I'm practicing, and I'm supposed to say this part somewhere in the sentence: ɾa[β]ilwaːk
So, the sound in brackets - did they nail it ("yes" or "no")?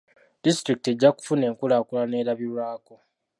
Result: yes